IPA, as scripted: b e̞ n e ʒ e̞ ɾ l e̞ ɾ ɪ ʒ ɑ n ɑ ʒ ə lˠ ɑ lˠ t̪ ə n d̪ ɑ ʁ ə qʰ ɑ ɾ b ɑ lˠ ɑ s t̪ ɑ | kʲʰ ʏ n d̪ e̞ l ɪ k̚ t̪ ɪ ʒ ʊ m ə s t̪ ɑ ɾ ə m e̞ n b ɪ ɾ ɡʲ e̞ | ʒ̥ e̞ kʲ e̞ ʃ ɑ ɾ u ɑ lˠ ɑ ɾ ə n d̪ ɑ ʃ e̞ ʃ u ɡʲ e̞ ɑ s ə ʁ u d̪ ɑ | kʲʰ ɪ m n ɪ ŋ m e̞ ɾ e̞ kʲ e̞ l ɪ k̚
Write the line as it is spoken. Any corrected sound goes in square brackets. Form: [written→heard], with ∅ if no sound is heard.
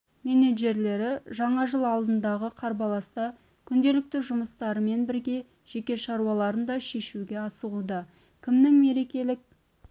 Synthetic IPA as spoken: [b→m] e̞ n e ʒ e̞ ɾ l e̞ ɾ ɪ ʒ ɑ [n→ɴ] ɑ ʒ ə lˠ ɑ lˠ [t̪→d̪] ə n d̪ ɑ ʁ ə qʰ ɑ ɾ b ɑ lˠ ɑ s t̪ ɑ | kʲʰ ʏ n d̪ e̞ l ɪ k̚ t̪ ɪ ʒ ʊ m ə s t̪ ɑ ɾ ə m e̞ n b ɪ ɾ ɡʲ e̞ | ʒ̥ e̞ kʲ e̞ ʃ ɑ ɾ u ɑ lˠ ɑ ɾ ə n d̪ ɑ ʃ e̞ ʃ u ɡʲ e̞ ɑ s ə ʁ u d̪ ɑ | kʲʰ ɪ m n ɪ ŋ m e̞ ɾ e̞ kʲ e̞ l ɪ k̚